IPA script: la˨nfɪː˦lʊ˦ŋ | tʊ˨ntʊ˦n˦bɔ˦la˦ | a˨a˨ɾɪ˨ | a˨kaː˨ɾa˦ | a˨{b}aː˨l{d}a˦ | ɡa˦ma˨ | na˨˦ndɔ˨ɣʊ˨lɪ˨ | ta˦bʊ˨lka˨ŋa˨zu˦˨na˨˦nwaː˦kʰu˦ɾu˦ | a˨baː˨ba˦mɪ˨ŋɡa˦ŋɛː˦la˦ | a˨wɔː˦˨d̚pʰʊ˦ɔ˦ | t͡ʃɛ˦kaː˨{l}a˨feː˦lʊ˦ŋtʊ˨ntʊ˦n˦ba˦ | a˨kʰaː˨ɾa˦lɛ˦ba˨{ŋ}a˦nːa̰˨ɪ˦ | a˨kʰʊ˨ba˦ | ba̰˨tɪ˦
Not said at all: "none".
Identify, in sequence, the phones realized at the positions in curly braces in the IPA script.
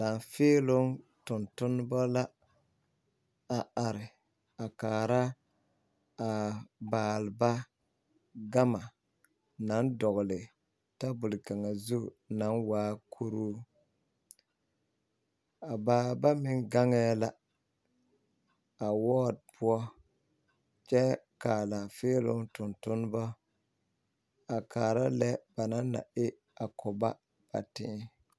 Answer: b, b, l, n

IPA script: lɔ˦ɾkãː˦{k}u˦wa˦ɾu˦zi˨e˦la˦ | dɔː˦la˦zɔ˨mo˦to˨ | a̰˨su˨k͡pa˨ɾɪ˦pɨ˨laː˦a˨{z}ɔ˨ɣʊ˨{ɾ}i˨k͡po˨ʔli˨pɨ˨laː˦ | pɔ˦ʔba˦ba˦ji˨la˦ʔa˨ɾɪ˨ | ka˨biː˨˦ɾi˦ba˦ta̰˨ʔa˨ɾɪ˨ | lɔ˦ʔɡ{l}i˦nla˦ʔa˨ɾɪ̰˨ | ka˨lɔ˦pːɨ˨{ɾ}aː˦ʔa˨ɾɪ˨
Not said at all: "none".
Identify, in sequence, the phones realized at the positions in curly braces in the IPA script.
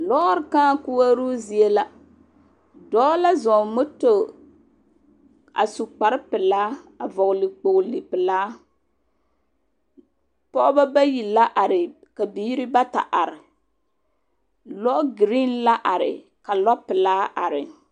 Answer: k, v, l, ɾ, l

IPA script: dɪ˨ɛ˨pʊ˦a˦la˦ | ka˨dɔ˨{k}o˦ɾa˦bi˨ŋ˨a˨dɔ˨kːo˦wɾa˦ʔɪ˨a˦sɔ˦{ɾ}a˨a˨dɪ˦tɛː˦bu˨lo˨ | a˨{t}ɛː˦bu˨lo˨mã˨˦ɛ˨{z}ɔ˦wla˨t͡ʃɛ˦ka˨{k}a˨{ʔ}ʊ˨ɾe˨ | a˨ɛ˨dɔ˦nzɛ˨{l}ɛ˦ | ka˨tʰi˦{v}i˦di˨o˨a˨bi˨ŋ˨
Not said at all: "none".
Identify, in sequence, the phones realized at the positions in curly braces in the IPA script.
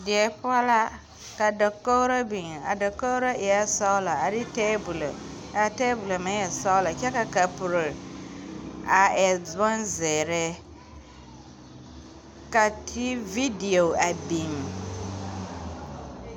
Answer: k, l, t, s, k, p, ɾ, v

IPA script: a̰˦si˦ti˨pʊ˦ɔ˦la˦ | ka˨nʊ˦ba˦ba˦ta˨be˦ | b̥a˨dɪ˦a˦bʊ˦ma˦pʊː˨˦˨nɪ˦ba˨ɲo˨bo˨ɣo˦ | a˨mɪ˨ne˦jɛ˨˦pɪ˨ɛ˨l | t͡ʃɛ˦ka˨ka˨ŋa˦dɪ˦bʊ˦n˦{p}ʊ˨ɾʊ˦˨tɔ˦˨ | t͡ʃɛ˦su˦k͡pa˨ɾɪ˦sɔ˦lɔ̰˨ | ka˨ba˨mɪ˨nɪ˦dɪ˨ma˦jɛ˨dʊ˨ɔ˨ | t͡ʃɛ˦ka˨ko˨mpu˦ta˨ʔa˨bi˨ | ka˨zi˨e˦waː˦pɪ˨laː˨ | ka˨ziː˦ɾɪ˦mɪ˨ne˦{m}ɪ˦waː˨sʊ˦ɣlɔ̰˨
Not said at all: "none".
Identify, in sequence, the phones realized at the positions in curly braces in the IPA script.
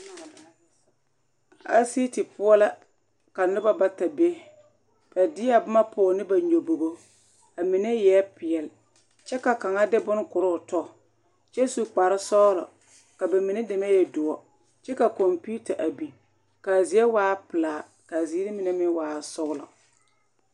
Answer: k, m

